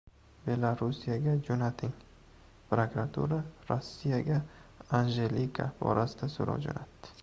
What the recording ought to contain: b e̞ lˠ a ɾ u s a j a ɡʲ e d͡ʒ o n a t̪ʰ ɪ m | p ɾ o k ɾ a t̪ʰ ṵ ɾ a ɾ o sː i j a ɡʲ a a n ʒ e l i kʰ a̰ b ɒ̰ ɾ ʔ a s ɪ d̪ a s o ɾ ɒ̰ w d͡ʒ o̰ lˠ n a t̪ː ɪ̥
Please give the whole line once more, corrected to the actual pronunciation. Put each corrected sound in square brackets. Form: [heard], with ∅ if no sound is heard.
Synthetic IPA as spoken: b e̞ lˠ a ɾ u s [i] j a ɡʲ [a] d͡ʒ o n a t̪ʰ ɪ [ŋ] | p ɾ o k ɾ a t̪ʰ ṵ ɾ a ɾ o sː i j a ɡʲ a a n ʒ e l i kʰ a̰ b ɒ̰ ɾ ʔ a s ɪ d̪ a s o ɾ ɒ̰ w d͡ʒ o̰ [∅] n a t̪ː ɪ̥